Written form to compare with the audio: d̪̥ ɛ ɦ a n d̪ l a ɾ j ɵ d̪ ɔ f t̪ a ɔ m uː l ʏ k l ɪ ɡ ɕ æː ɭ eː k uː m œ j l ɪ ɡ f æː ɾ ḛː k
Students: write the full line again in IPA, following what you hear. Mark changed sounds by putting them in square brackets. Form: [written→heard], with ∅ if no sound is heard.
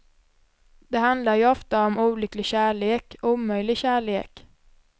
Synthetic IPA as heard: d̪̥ ɛ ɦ a n d̪ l a ɾ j ɵ [d̪→∅] ɔ f t̪ a ɔ m uː l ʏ k l ɪ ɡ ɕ æː ɭ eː k uː m œ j l ɪ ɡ [f→ɕ] æː [ɾ→ɭ] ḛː k